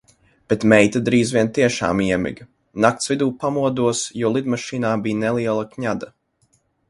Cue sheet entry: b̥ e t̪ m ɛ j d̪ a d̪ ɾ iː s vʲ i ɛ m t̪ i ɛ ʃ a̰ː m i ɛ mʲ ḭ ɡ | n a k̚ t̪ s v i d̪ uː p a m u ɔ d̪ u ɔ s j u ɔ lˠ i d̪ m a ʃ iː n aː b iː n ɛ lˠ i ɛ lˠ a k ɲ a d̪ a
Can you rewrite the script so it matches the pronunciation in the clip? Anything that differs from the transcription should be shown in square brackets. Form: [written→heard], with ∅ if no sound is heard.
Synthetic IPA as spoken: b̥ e t̪ m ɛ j [d̪→t̪] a d̪ ɾ iː [s→z] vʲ i ɛ [m→n] t̪ i ɛ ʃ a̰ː m i ɛ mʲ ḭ ɡ | n a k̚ t̪ s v i d̪ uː p a m u ɔ d̪ u ɔ s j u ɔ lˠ i d̪ m a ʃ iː n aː b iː n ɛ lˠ i ɛ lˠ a k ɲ a d̪ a

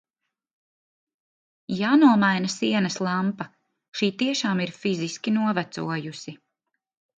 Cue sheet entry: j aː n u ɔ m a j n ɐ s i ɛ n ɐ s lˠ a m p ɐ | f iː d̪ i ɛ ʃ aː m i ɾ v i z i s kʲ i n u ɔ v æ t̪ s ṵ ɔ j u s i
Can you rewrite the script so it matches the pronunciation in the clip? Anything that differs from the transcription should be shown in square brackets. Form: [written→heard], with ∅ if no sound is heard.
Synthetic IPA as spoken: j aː n u ɔ m a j n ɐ s i ɛ n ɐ s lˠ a m p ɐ | [f→ʃ] iː [d̪→t̪] i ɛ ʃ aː m i ɾ [v→f] i z i s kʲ i n u ɔ v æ t̪ s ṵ ɔ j u s i

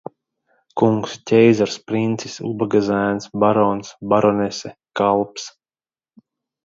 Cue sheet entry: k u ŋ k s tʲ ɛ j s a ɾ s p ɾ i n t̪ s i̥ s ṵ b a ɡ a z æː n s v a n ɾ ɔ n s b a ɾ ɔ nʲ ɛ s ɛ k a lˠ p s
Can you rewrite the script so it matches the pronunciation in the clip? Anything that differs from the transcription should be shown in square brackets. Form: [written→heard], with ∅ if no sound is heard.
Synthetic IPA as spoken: k u ŋ k s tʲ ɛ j [s→z] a ɾ s p ɾ i n t̪ s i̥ s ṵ b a ɡ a z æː n s [v→b] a [n→∅] ɾ ɔ n s b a ɾ ɔ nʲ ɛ s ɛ k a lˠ p s

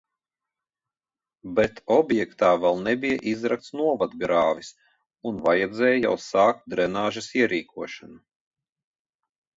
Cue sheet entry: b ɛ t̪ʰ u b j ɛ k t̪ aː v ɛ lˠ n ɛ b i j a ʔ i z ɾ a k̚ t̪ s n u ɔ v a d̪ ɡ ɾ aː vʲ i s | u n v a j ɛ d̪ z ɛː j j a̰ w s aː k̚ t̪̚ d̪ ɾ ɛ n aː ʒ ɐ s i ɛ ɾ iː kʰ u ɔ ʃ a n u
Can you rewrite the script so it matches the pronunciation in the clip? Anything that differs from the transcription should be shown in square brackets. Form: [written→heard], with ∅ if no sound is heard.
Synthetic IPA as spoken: b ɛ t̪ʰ [u→ɔ] b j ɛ k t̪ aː v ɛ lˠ n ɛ b i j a ʔ i z ɾ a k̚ t̪ s n u ɔ v a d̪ ɡ ɾ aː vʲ i s | u n v a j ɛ d̪ z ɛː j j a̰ w s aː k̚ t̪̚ d̪ ɾ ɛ n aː ʒ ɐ s i ɛ ɾ iː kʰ u ɔ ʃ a n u

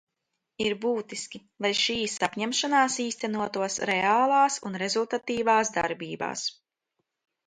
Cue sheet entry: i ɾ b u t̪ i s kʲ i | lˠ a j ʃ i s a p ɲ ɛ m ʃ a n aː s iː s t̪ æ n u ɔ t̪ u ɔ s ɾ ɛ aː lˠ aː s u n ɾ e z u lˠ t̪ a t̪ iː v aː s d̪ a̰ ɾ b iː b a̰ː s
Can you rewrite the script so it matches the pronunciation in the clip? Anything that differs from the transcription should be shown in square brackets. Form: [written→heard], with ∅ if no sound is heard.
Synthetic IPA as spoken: i ɾ b [u→uː] t̪ i s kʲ i | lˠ a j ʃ [i→iː] s a p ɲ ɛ m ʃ a n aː s iː s t̪ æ n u ɔ t̪ u ɔ s ɾ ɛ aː lˠ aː s u n ɾ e z u lˠ t̪ a t̪ iː v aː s d̪ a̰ ɾ b iː b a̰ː s

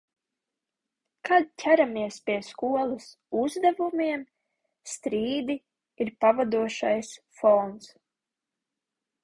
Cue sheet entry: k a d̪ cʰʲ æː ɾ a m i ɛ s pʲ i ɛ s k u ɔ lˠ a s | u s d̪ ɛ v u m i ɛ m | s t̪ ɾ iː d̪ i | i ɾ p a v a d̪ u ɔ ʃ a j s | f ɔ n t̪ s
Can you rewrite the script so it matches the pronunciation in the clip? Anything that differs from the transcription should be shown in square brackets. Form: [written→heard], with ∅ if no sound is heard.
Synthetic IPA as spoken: k a d̪ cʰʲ [æː→æ] ɾ a m i ɛ s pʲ i ɛ s k u ɔ lˠ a s | u [s→z] d̪ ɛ v u m i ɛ m | s t̪ ɾ iː d̪ i | i ɾ p a v a d̪ u ɔ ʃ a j s | f ɔ n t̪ s

